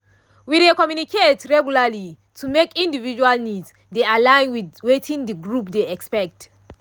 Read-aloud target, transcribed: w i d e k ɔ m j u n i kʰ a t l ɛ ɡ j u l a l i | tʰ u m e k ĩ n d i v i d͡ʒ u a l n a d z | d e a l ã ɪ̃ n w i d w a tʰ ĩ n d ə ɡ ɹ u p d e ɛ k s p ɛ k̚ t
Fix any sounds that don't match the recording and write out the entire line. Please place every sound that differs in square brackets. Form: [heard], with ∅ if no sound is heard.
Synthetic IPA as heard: w i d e k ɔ m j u n i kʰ [e] t [ɹ] ɛ ɡ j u l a l i | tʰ u m e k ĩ n d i v i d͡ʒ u a l n [i] d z | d e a l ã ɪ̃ n w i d w [e] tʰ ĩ n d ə ɡ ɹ u p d e ɛ k s p ɛ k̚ t